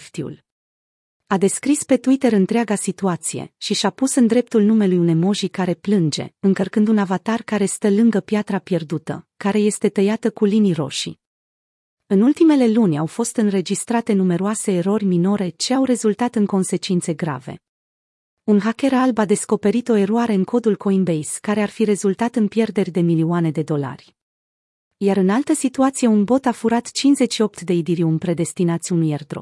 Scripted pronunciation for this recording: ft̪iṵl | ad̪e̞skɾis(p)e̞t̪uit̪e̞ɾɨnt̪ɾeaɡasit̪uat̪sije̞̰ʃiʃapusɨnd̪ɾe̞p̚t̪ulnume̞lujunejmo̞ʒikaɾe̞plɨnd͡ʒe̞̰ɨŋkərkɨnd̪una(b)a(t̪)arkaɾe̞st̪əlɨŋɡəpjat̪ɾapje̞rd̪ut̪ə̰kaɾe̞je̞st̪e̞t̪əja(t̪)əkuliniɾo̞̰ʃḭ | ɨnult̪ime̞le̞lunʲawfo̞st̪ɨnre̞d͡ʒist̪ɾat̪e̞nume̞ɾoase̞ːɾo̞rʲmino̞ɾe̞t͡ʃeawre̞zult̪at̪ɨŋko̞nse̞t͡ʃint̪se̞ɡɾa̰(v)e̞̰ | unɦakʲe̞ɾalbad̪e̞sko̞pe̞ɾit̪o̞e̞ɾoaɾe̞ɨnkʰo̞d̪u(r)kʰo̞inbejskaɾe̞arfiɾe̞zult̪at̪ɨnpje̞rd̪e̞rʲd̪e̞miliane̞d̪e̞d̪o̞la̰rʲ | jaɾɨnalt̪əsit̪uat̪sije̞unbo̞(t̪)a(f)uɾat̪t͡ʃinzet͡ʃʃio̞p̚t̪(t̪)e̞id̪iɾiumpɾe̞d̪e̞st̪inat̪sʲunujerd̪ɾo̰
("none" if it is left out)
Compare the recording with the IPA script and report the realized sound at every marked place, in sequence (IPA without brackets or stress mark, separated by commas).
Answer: p, v, t̪, t̪, v, l, t̪, f, d̪